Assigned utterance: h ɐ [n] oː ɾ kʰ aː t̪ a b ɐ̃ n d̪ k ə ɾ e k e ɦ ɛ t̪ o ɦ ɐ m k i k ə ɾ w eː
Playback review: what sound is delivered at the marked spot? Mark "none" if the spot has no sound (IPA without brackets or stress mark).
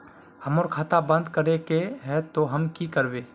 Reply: m